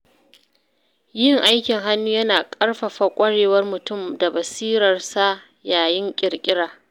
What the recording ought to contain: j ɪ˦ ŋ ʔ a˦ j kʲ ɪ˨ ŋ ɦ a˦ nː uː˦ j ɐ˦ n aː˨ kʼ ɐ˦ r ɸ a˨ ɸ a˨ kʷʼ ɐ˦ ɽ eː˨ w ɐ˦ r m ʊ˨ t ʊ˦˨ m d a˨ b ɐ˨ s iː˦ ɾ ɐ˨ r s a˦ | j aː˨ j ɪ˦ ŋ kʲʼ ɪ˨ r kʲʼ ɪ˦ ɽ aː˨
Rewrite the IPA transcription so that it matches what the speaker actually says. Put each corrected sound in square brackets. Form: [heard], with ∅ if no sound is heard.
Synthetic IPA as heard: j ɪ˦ ŋ ʔ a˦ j kʲ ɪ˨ ŋ ɦ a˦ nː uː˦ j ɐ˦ n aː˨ kʼ ɐ˦ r ɸ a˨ ɸ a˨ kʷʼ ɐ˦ ɽ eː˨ w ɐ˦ r m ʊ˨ t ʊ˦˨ m d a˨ b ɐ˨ s iː˦ ɾ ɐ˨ r s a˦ | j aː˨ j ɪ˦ ŋ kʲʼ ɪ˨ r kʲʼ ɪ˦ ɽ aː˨